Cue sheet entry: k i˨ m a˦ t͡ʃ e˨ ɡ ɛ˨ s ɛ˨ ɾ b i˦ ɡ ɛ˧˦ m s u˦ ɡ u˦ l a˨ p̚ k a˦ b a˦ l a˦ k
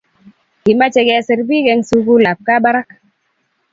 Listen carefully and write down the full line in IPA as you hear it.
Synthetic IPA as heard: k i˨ m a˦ t͡ʃ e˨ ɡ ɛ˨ s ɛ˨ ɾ b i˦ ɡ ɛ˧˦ ŋ s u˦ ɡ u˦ l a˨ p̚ k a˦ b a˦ ɾ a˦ k